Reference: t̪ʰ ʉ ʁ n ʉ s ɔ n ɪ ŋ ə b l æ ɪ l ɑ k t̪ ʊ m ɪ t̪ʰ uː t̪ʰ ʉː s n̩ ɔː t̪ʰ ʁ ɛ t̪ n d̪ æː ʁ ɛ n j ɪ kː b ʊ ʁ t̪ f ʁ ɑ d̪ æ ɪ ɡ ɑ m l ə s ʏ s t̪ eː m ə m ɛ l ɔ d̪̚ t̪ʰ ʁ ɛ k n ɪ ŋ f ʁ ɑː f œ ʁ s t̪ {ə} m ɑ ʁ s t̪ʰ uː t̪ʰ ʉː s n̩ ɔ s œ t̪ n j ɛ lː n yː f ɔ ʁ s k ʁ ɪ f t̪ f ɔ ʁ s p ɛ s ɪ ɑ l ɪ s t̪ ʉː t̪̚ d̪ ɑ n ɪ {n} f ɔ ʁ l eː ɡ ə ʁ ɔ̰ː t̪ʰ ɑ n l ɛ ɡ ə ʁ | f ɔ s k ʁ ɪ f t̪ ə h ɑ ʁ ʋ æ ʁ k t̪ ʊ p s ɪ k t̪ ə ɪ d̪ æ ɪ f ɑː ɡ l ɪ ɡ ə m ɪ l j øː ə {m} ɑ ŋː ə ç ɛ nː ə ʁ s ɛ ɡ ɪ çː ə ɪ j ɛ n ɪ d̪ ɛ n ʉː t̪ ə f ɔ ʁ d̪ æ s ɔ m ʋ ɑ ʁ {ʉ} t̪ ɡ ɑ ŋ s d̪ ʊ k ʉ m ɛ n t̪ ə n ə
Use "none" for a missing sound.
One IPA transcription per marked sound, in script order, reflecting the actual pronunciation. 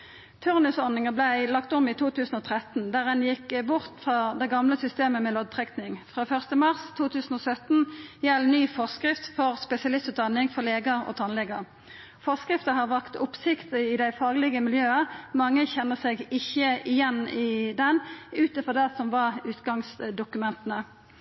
ə, ŋ, m, ʉː

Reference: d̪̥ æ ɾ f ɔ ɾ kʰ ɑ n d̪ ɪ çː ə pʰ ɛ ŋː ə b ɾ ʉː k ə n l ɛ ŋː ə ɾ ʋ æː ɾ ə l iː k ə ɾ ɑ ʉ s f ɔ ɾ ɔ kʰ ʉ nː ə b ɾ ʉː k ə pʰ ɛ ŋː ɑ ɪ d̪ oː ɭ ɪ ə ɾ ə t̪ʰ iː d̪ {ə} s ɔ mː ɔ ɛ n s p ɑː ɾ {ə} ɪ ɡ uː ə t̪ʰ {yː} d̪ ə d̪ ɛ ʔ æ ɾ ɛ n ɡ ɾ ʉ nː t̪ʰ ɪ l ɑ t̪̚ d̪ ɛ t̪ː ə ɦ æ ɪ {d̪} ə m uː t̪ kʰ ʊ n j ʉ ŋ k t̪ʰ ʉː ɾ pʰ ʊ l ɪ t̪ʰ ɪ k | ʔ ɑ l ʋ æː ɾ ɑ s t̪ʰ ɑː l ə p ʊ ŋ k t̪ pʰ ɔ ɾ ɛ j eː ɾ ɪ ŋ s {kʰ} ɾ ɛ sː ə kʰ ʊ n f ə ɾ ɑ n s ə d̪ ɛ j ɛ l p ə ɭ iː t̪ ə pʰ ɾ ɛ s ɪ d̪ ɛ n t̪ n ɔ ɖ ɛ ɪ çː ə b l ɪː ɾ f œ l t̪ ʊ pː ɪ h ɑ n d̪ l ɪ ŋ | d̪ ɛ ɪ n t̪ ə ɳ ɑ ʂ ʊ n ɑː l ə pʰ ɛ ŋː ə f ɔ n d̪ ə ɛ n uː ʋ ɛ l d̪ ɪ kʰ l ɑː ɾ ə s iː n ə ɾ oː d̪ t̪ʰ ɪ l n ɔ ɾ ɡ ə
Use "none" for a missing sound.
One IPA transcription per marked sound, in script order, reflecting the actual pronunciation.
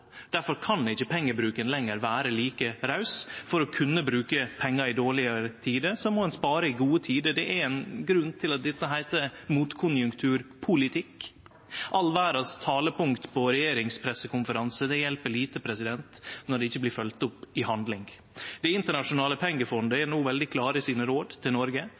ə, ə, iː, t̪, pʰ

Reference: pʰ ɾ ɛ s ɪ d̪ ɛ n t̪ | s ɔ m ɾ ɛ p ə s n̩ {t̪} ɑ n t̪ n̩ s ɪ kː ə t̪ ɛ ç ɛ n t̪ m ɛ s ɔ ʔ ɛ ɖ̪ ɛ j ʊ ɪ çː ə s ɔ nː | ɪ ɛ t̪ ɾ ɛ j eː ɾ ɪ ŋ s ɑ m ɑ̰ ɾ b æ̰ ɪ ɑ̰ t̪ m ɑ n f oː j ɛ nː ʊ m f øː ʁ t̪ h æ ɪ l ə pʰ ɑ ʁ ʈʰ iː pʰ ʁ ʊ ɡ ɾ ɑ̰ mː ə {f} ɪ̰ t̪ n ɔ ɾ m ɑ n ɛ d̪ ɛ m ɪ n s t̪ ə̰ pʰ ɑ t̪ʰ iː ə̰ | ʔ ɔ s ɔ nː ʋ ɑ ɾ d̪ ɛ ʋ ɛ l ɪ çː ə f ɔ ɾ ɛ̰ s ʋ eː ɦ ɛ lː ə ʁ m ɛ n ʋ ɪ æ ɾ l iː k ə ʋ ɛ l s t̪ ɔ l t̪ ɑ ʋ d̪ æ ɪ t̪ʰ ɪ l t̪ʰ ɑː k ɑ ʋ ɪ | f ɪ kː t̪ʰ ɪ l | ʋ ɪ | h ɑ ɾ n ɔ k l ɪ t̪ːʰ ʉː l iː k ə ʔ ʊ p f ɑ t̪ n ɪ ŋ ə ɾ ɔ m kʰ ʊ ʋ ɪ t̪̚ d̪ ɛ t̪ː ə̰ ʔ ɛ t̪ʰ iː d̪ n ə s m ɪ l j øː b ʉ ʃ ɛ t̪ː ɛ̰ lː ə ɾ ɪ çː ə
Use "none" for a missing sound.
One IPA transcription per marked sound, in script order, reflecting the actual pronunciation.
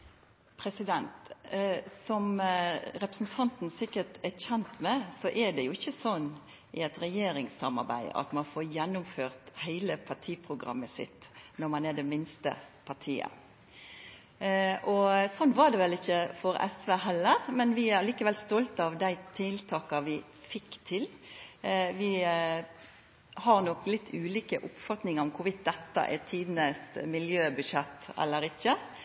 t̪ʰ, s

